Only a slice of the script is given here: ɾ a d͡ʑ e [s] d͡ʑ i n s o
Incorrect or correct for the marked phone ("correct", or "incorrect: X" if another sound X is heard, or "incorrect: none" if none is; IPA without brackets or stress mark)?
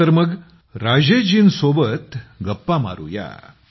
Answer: incorrect: none